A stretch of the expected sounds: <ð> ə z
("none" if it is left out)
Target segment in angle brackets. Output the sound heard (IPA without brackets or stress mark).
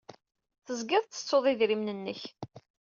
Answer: θ